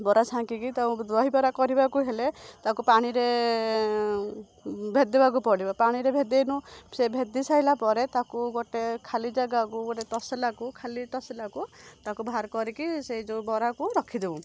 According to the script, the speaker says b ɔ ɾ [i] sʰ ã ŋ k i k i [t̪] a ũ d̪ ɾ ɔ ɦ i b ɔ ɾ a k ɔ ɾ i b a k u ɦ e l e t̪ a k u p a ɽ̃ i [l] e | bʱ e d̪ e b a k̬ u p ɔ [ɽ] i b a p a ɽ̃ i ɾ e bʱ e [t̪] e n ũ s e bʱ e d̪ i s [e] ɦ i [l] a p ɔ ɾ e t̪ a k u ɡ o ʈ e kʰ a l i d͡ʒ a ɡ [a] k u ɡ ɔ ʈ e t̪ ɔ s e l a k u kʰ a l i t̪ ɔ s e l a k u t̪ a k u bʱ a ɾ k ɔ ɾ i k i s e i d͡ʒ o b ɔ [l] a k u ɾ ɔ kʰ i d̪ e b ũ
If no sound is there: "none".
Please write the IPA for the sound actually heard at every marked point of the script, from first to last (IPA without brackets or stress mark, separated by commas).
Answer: a, t̪, ɾ, ɽ, d̪, a, l, a, ɾ